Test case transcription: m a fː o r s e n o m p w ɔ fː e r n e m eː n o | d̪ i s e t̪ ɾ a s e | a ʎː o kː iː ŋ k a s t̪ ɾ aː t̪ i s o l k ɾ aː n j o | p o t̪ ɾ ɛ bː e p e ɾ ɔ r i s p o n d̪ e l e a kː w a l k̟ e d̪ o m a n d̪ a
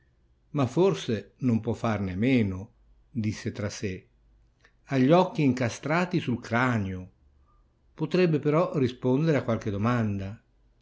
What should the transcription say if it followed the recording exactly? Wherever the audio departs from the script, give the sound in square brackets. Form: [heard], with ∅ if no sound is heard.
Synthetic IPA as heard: m a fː o r s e n o m p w ɔ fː [a] r n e m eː n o | d̪ i [sː] e t̪ ɾ a s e | a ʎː [ɔ] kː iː ŋ k a s t̪ ɾ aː t̪ i s [u] l k ɾ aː n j o | p o t̪ ɾ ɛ bː e p e ɾ ɔ r i s p o n d̪ e [ɾ] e a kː w a l k̟ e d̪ o m a n d̪ a